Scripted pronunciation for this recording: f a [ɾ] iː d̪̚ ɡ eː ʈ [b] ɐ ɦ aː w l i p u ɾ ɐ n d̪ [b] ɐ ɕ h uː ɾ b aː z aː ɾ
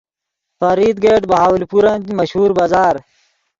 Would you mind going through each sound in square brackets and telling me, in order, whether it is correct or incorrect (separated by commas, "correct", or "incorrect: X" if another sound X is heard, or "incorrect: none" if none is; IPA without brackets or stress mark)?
correct, correct, incorrect: m